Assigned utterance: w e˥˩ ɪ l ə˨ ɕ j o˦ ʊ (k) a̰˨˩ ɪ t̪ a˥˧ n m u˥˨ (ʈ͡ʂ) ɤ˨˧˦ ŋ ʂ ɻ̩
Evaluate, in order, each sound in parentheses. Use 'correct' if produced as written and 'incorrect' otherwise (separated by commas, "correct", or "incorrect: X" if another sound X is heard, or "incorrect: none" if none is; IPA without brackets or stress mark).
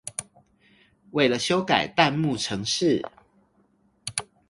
correct, incorrect: ʈ͡ʂʰ